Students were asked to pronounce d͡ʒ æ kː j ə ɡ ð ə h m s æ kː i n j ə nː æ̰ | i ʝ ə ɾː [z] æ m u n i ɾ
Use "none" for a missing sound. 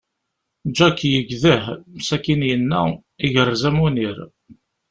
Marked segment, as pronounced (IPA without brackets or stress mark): z